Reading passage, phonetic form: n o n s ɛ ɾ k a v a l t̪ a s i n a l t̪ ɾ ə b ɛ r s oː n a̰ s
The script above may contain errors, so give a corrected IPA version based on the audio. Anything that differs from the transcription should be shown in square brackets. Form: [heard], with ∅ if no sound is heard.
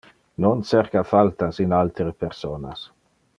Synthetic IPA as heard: n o n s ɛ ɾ k a [f] a l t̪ a s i n a l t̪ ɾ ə [p] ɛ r s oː n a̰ s